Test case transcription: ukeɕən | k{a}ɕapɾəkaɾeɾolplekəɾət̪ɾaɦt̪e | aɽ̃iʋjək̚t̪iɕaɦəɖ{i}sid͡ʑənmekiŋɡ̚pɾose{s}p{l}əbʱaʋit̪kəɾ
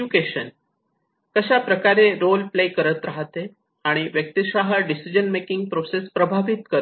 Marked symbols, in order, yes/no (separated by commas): no, yes, yes, no